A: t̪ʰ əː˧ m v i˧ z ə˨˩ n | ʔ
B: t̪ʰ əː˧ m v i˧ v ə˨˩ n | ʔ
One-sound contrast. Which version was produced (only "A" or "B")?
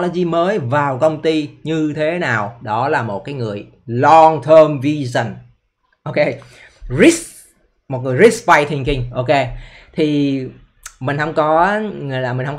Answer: A